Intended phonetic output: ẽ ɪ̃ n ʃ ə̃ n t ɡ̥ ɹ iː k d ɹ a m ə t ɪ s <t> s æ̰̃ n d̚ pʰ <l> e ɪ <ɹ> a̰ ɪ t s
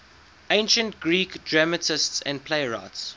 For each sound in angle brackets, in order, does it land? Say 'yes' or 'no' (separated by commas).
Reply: yes, yes, yes